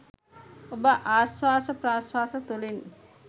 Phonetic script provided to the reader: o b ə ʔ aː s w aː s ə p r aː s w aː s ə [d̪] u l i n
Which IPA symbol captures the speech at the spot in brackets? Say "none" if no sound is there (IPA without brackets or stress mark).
t̪